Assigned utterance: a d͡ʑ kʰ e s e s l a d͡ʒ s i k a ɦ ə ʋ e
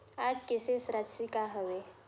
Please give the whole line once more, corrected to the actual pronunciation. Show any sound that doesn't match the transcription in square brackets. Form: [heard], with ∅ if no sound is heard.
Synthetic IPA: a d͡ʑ [k] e s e s [ɾ] a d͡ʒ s i k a ɦ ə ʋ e